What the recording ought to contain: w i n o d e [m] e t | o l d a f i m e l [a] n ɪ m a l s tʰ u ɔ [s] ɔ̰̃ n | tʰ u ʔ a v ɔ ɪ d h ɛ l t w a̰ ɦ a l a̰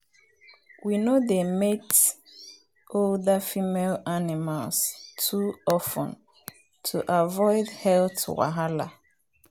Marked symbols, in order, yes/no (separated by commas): yes, yes, no